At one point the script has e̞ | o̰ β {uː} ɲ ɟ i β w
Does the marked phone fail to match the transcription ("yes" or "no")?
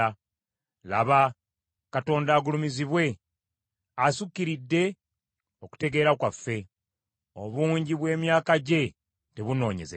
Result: no